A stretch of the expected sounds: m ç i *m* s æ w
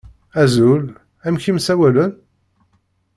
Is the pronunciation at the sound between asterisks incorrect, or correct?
correct